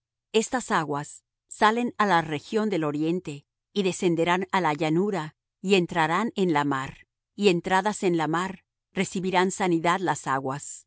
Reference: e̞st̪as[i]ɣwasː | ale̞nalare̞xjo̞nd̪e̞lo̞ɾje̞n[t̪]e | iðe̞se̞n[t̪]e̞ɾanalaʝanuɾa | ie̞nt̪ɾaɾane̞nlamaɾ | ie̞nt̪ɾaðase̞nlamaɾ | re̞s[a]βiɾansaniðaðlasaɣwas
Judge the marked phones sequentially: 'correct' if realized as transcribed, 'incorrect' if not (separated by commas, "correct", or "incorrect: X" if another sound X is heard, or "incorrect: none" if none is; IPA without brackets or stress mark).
incorrect: a, correct, incorrect: d̪, incorrect: i